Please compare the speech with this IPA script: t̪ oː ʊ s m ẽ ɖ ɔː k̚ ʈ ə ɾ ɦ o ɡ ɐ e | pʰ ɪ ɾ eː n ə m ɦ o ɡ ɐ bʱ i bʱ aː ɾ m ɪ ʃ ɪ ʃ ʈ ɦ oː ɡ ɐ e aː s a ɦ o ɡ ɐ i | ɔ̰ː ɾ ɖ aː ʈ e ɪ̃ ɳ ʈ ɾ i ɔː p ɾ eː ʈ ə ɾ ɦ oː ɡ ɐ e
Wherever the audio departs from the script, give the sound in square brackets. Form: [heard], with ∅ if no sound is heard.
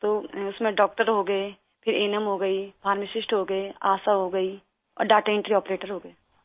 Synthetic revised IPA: t̪ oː ʊ s m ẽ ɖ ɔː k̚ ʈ ə ɾ ɦ o ɡ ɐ e | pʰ ɪ ɾ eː n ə m ɦ o ɡ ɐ [∅] i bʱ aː ɾ m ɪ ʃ ɪ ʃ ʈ ɦ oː ɡ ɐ e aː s a ɦ o ɡ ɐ i | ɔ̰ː ɾ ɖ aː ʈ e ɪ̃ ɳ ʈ ɾ i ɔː p ɾ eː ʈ ə ɾ ɦ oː ɡ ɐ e